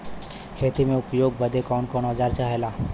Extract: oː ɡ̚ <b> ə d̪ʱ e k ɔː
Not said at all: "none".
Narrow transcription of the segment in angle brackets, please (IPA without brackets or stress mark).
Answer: b